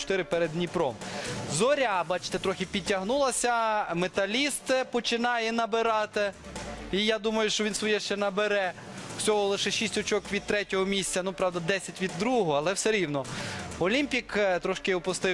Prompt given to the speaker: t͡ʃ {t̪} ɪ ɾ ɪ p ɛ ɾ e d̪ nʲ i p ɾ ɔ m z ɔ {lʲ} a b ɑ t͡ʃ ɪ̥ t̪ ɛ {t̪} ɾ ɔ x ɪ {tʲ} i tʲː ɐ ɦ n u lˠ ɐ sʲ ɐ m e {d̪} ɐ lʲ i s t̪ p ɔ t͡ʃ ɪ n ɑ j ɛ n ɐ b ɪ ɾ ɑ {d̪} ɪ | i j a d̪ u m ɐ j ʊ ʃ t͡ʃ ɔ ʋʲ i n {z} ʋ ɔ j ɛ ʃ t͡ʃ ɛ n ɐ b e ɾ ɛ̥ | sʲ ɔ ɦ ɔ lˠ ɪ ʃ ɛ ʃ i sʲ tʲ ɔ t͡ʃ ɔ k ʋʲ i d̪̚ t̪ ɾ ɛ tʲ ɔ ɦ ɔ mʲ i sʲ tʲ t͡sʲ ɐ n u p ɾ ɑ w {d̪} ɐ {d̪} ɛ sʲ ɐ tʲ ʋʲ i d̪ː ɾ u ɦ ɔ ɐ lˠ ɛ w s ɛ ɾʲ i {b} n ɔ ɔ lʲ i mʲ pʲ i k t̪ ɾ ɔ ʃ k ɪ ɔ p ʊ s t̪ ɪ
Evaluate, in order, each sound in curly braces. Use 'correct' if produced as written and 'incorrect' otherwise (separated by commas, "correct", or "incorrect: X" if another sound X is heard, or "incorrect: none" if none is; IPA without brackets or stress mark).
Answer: correct, incorrect: ɾʲ, correct, incorrect: pʲ, incorrect: t̪, incorrect: t̪, incorrect: s, correct, correct, incorrect: w